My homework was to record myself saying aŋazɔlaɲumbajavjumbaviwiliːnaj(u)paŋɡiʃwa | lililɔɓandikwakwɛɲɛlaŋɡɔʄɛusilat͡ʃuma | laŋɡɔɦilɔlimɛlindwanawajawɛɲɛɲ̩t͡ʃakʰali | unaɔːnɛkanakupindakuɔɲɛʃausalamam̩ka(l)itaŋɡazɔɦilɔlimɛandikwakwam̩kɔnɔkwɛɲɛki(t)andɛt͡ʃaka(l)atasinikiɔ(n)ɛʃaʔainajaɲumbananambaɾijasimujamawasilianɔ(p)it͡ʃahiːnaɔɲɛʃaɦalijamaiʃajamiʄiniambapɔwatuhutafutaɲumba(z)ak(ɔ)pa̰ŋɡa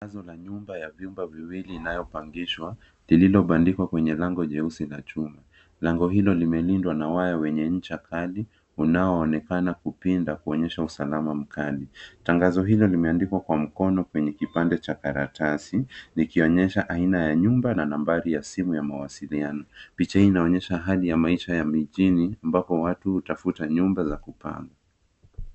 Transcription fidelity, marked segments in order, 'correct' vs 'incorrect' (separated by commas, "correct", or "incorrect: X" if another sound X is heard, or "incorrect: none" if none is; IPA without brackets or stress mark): incorrect: ɔ, correct, incorrect: p, incorrect: ɾ, incorrect: ɲ, correct, correct, incorrect: u